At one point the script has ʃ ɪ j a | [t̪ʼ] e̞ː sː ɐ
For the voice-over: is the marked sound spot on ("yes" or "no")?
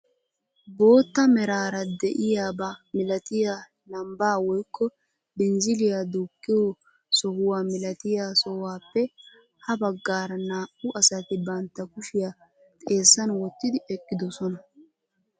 yes